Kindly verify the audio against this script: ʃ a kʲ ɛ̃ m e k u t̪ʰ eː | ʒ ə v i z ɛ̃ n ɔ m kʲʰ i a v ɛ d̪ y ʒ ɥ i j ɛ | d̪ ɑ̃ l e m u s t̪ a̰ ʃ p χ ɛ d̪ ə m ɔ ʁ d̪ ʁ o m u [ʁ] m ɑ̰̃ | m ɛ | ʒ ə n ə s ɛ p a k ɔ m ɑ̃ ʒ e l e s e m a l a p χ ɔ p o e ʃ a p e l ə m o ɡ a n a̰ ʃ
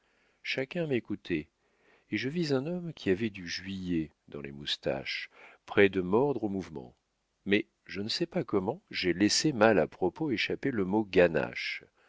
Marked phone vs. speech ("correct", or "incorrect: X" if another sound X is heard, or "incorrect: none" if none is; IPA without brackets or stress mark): incorrect: v